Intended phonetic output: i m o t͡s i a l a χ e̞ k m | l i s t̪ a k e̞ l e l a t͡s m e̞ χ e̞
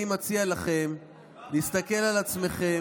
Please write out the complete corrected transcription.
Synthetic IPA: i m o t͡s i a l a χ e̞ m | l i s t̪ a k e̞ l a l a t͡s m e̞ χ e̞

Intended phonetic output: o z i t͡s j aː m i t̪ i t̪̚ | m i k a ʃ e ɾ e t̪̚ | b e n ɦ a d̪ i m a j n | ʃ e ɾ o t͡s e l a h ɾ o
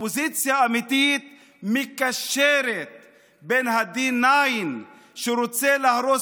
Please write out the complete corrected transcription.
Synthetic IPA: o z i t͡s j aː m i t̪ i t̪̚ | m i k a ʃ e ɾ e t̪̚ | b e n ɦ a d̪ i n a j n | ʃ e ɾ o t͡s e l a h ɾ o

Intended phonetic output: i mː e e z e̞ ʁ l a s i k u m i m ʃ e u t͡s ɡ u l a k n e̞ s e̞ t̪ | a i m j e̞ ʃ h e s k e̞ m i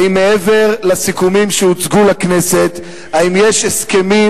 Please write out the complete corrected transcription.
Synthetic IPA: i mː e e v e̞ ʁ l a s i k u m i m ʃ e u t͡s ɡ u l a k n e̞ s e̞ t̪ | a i m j e̞ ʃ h e s k e̞ m i

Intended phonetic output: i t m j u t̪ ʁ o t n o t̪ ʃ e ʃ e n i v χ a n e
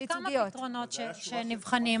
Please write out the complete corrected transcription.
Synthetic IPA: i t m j o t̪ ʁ o n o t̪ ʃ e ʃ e n i v χ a n i

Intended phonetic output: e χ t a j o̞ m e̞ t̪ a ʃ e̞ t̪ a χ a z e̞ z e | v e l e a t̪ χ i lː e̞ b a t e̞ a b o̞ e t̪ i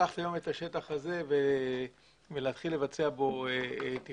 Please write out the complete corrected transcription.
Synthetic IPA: a χ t a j o̞ m e̞ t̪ a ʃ e̞ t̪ a χ a z e̞ v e | v e l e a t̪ χ i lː e̞ v a t͡s e̞ a b o̞ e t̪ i

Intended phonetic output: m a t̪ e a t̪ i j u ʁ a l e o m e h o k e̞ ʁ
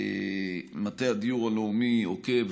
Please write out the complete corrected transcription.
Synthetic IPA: m a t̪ e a d̪ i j u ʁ a l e u m i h o k e̞ v

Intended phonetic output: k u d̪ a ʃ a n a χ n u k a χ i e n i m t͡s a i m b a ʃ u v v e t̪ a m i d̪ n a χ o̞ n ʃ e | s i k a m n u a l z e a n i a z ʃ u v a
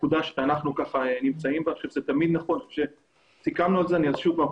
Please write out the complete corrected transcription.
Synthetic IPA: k u d̪ a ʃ a n a χ n u k a χ a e n i m t͡s a i m b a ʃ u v z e t̪ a m i d̪ n a χ o̞ n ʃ e | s i k a m n u a l z e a n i a z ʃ u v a

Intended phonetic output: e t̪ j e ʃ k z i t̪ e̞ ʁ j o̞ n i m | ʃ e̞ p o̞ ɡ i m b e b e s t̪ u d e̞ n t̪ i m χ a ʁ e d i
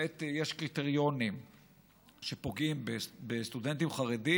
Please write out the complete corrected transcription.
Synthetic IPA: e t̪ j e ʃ k ʁ i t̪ e̞ ʁ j o̞ n i m | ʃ e̞ p o̞ ɡ i m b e b e s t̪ u d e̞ n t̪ i m χ a ʁ e d i

